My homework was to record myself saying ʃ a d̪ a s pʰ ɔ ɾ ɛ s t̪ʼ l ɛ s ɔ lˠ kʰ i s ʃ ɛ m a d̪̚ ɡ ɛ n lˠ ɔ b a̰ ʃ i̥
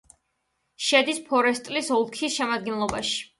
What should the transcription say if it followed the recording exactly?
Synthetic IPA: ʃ ɛ d̪ i s pʰ ɔ ɾ ɛ s t̪ʼ l i s ɔ lˠ kʰ i s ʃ ɛ m a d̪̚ ɡ ɛ n lˠ ɔ b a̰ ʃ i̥

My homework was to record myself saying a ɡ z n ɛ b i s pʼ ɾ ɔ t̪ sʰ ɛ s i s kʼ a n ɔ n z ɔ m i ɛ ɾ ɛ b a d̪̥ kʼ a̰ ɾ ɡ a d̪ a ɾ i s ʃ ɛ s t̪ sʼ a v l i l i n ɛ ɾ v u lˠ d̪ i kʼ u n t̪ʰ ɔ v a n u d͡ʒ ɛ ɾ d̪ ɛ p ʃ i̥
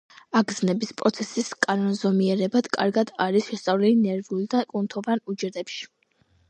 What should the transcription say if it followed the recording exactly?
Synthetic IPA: a ɡ z n ɛ b i s pʼ ɾ ɔ t̪ sʰ ɛ s i s kʼ a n ɔ n z ɔ m i ɛ ɾ ɛ b a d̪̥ kʼ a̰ ɾ ɡ a d̪ a ɾ i s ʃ ɛ s t̪ sʼ a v l i l i n ɛ ɾ v u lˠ d̪ a kʼ u n t̪ʰ ɔ v a n u d͡ʒ ɛ ɾ d̪ ɛ p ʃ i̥

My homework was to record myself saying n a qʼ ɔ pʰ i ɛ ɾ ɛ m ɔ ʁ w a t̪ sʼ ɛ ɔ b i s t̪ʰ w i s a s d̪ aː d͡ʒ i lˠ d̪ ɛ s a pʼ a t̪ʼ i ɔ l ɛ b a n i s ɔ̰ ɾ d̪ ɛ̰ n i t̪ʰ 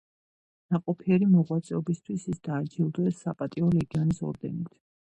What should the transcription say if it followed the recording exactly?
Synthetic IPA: n a qʼ ɔ pʰ i ɛ ɾ i m ɔ ʁ w a t̪ sʼ ɛ ɔ b i s t̪ʰ w i s i s d̪ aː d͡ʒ i lˠ d̪ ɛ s a pʼ a t̪ʼ i ɔ l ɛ ɡ a n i s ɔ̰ ɾ d̪ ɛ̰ n i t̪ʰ

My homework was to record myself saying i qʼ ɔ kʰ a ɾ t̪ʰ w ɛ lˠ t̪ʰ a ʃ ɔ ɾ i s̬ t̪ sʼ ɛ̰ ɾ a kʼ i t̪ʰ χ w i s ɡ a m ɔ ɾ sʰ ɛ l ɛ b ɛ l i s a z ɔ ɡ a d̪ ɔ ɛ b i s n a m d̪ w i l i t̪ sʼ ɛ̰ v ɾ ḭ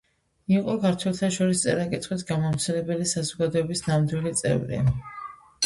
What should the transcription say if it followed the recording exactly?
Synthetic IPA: i qʼ ɔ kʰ a ɾ t̪ʰ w ɛ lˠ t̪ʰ a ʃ ɔ ɾ i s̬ t̪ sʼ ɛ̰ ɾ a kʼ i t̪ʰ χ w i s ɡ a m ɔ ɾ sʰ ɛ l ɛ b ɛ l i s a z ɔ ɡ a d̪ ɔ ɛ b i s n a m d̪ w i l i t̪ sʼ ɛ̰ v ɾ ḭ

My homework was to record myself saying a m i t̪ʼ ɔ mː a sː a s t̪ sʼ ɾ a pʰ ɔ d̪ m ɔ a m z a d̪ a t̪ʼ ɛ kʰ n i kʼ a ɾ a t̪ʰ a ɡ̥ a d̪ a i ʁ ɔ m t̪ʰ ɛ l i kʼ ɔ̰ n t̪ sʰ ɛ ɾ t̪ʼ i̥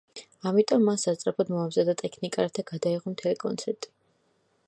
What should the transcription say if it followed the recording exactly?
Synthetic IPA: a m i t̪ʼ ɔ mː a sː a s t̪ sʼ ɾ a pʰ ɔ d̪ m ɔ a m z a d̪ a t̪ʼ ɛ kʰ n i kʼ a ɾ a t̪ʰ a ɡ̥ a d̪ a i ʁ ɔ m t̪ʰ ɛ l i kʼ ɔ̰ n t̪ sʰ ɛ ɾ t̪ʼ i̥

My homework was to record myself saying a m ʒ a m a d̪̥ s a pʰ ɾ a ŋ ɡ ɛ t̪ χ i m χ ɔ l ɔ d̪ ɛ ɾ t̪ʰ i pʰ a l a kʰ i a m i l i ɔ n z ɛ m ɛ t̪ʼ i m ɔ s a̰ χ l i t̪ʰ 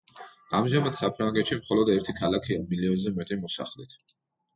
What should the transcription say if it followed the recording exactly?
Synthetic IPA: a m ʒ a m a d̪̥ s a pʰ ɾ a ŋ ɡ ɛ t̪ ʃ i m χ ɔ l ɔ d̪ ɛ ɾ t̪ʰ i kʰ a l a kʰ i a m i l i ɔ n z ɛ m ɛ t̪ʼ i m ɔ s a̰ χ l i t̪ʰ

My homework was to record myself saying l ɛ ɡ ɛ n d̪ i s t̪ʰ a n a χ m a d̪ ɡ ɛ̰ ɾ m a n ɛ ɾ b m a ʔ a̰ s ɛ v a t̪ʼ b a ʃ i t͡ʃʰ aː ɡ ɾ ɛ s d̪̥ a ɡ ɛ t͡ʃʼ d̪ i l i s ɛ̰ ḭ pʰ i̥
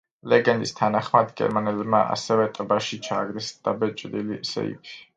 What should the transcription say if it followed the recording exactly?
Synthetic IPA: l ɛ ɡ ɛ n d̪ i s t̪ʰ a n a χ m a d̪ ɡ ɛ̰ ɾ m a n ɛ l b m a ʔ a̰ s ɛ v ɛ t̪ʼ b a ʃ i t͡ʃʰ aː ɡ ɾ ɛ s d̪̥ a b ɛ t͡ʃʼ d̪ i l i s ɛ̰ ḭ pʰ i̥

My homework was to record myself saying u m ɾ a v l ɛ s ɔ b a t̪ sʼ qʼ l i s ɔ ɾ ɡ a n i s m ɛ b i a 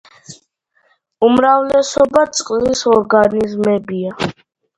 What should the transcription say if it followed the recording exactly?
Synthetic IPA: u m ɾ a v l ɛ s ɔ b a t̪ sʼ qʼ l i s ɔ ɾ ɡ a n i z m ɛ b i a

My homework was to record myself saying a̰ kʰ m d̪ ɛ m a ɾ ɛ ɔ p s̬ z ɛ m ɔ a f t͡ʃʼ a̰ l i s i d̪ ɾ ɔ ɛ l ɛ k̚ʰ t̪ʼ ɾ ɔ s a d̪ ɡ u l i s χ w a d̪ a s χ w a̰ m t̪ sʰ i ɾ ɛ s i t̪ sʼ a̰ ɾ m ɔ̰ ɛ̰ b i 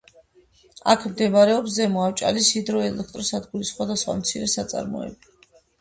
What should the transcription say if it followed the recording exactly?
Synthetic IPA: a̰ kʰ m d̪ ɛ m a ɾ ɛ ɔ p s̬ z ɛ m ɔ a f t͡ʃʼ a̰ l i s i d̪ ɾ ɔ ɛ l ɛ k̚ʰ t̪ʼ ɾ ɔ s a d̪ ɡ u l i s χ w a d̪ a s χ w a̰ m t̪ sʰ i ɾ ɛ s a t̪ sʼ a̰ ɾ m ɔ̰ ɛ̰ b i

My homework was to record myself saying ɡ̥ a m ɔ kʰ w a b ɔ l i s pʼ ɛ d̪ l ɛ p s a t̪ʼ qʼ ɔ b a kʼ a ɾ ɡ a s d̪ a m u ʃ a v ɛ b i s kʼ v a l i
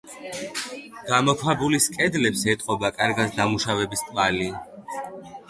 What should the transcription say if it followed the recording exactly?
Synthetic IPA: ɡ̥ a m ɔ kʰ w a b u l i s kʼ ɛ d̪ l ɛ p s ɛ t̪ʼ qʼ ɔ b a kʼ a ɾ ɡ a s d̪ a m u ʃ a v ɛ b i s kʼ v a l i

